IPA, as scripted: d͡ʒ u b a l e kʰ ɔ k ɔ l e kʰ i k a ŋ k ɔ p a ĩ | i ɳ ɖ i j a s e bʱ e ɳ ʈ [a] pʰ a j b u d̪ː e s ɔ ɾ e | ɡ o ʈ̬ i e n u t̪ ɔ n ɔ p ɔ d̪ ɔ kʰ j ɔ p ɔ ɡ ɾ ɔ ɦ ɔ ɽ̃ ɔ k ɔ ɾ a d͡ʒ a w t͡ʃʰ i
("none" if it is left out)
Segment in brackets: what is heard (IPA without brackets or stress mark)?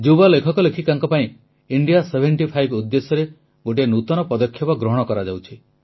i